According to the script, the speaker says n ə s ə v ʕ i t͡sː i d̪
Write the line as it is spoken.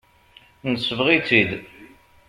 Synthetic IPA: n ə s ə v ʁ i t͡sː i d̪